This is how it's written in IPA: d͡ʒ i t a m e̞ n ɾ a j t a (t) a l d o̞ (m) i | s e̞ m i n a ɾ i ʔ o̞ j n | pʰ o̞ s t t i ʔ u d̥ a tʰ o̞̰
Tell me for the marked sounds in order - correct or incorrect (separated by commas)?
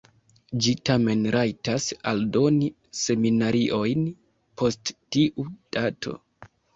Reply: incorrect, incorrect